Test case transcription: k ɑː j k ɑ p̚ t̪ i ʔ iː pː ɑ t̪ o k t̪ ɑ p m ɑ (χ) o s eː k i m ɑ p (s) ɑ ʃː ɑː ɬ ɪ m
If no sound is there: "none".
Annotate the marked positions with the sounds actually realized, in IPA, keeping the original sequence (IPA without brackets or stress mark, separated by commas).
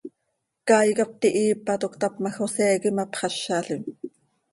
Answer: x, χ